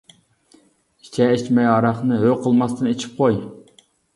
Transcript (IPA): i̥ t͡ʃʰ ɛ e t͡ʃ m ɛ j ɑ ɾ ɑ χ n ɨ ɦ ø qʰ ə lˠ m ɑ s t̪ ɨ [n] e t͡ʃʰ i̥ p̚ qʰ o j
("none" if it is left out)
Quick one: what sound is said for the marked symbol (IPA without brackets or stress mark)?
n